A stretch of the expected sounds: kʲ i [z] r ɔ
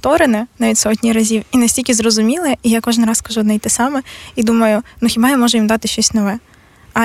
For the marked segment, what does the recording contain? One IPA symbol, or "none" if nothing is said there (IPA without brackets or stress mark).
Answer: z